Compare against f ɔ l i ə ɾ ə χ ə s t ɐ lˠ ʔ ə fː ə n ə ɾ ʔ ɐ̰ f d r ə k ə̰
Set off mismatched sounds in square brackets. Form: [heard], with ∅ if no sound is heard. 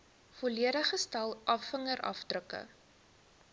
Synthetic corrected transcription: f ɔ l i ə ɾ ə χ ə s t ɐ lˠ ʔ [ɐ] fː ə [ŋ] ə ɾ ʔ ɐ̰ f d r ə k ə̰